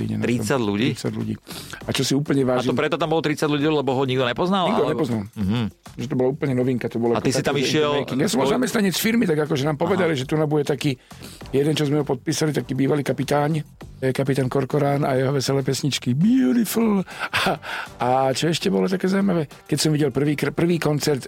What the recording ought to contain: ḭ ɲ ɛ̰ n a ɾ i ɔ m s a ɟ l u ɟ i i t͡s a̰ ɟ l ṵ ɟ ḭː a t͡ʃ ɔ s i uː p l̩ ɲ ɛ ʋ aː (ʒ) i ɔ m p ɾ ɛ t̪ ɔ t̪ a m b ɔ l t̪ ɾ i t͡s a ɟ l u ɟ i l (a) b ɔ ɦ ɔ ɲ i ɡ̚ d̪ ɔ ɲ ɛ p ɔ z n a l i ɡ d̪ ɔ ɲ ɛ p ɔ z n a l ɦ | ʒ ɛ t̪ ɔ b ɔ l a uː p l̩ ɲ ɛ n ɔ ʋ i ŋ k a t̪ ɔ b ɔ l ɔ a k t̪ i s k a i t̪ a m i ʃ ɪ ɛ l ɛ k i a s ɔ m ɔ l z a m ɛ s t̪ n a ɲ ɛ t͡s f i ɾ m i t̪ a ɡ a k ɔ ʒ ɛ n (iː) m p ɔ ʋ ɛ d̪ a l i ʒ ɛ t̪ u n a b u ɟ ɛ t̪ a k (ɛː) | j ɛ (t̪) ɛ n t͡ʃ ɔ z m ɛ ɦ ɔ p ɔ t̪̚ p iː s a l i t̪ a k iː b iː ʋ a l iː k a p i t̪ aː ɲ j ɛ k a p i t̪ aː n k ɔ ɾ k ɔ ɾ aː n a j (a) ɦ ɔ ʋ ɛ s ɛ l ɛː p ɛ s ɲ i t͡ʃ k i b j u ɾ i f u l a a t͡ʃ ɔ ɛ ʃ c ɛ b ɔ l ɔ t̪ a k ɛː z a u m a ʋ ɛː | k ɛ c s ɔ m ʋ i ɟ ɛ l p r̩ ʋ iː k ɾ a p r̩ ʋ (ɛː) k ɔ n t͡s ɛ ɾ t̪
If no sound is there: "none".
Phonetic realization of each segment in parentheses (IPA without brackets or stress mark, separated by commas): ʒ, ɛ, aː, iː, d̪, ɛ, iː